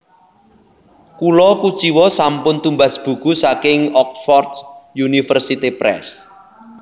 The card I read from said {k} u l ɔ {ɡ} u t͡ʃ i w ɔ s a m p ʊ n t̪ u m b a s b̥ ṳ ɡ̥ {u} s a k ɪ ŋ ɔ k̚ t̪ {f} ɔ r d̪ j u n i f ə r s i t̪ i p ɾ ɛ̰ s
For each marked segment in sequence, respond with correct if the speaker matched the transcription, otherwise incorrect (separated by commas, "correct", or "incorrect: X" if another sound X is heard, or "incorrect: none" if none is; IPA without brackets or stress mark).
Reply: correct, incorrect: k, correct, correct